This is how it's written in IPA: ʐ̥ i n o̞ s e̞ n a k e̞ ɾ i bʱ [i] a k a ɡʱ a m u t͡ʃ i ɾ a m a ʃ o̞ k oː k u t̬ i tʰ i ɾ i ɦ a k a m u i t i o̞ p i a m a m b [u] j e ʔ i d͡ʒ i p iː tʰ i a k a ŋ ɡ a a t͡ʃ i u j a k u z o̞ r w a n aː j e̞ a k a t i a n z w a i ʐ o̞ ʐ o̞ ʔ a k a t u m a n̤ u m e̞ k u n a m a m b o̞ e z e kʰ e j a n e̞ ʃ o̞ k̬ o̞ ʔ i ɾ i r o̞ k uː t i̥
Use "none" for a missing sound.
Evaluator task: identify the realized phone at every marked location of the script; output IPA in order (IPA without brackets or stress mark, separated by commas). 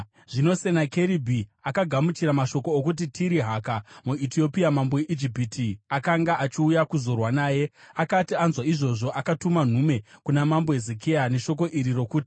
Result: i, o